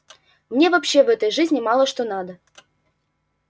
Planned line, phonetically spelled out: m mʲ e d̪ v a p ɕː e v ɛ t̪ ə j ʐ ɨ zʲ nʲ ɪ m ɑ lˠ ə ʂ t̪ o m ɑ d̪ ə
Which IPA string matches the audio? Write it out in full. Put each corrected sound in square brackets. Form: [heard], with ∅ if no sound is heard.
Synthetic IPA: m [nʲ] e [∅] v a p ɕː e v ɛ t̪ ə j ʐ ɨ zʲ nʲ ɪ m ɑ lˠ ə ʂ t̪ o [n] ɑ d̪ ə